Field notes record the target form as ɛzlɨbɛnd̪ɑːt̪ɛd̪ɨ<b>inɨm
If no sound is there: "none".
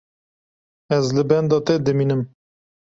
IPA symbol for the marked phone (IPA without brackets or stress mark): m